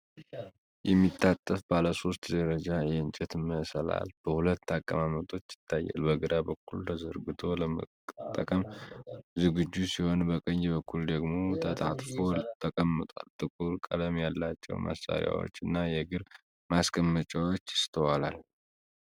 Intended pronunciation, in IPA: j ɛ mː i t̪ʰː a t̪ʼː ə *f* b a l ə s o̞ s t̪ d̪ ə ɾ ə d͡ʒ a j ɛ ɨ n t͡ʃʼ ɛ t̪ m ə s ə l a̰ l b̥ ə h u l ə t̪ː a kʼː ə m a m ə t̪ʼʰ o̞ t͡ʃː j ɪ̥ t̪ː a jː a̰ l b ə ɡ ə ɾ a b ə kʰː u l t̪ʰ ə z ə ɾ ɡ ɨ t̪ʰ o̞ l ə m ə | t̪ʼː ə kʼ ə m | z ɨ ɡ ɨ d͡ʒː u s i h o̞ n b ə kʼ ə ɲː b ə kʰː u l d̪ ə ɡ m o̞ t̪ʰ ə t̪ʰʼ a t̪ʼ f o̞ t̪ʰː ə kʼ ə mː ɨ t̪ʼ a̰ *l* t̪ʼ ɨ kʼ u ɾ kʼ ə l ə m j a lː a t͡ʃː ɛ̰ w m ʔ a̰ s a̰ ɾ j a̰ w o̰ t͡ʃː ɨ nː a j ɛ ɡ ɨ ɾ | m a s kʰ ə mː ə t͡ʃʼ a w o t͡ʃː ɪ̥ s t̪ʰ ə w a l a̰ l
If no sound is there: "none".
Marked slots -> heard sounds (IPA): f, l

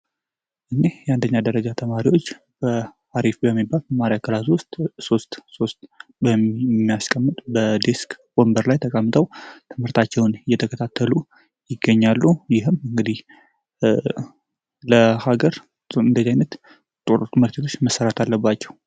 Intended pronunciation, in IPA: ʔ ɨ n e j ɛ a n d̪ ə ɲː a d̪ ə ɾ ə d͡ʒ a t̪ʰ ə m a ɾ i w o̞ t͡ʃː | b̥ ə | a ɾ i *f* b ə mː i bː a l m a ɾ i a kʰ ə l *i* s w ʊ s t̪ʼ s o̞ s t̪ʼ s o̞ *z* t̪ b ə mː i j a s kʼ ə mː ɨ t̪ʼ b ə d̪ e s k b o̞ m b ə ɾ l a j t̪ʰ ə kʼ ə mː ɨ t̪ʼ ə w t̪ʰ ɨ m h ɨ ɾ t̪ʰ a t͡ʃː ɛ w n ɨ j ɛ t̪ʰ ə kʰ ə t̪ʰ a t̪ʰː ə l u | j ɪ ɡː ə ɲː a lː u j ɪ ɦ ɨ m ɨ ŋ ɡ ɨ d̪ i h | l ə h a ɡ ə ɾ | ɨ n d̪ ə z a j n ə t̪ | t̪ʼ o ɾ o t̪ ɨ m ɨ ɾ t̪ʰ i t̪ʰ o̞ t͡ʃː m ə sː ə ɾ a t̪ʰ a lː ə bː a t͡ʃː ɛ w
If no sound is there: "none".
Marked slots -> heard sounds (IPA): f, a, s

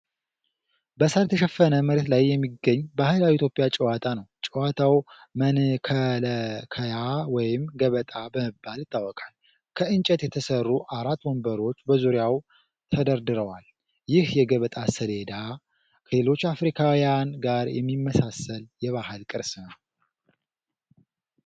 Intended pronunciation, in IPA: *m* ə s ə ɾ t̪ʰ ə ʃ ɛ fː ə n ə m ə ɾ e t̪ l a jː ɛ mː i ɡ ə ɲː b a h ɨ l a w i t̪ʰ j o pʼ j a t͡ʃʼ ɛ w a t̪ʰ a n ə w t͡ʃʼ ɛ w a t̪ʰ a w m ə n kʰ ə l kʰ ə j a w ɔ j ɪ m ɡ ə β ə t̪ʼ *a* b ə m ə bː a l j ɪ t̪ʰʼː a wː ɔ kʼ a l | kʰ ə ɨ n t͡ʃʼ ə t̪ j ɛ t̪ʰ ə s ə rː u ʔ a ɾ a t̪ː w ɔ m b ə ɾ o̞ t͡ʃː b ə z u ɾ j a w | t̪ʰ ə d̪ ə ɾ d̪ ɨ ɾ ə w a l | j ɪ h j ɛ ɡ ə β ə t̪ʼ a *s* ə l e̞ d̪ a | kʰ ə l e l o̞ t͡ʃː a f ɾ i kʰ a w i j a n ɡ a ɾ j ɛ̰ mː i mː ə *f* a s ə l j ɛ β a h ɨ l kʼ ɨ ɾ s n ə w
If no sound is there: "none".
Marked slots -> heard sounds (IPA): b, a, s, s

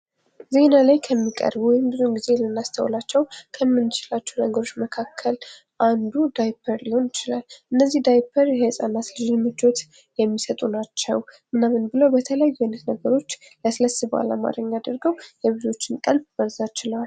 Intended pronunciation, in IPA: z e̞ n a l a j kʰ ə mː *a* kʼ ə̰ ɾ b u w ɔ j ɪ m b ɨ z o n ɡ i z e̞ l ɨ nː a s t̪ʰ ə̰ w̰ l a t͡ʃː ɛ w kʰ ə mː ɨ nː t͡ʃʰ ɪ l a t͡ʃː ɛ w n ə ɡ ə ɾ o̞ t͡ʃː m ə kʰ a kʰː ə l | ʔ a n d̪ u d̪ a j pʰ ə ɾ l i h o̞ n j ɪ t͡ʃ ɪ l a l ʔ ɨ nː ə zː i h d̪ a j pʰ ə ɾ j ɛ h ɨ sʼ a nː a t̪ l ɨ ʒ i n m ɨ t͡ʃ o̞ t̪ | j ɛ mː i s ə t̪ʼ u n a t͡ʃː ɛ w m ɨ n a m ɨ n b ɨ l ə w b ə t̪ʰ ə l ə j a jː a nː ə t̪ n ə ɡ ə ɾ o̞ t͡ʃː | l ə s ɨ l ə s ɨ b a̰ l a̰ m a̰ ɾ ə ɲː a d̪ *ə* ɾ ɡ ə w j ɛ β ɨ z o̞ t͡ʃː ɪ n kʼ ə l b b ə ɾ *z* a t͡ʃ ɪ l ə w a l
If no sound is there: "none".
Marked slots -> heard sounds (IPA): i, ə, z

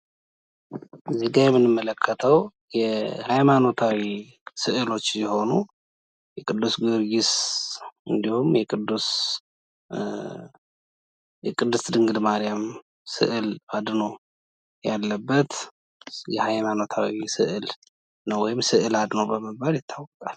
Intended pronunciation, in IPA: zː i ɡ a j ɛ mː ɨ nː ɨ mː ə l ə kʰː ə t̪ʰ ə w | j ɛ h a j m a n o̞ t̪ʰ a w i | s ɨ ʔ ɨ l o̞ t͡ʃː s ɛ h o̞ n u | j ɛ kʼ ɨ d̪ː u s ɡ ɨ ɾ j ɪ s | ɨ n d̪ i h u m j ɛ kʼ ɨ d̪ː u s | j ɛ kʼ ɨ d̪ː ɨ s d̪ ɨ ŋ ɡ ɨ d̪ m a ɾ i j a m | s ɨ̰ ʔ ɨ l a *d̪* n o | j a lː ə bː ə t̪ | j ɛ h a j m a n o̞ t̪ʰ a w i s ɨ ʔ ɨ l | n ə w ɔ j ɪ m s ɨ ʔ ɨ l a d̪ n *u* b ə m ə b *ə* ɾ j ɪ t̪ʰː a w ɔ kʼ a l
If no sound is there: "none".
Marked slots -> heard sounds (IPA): d̪, o, a

